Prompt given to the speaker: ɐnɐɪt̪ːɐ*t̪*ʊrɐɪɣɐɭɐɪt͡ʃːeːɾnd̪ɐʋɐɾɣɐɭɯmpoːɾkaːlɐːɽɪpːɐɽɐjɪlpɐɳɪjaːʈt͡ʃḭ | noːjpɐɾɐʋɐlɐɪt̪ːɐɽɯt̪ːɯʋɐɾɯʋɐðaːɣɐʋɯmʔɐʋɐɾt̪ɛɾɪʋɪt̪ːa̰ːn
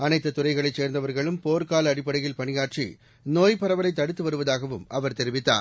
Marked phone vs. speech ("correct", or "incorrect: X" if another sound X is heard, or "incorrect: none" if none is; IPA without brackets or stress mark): correct